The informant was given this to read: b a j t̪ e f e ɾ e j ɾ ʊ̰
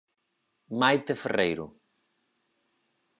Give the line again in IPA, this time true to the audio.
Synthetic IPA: m a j t̪ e f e r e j ɾ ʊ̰